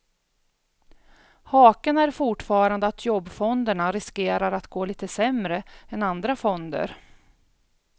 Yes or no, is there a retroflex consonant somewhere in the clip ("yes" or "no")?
yes